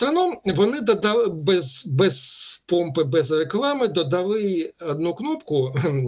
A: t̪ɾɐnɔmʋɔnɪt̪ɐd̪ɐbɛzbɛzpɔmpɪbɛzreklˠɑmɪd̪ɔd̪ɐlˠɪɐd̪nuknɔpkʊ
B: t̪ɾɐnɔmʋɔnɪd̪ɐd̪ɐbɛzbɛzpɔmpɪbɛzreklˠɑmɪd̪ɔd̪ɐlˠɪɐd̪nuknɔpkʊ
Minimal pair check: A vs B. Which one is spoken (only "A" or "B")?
B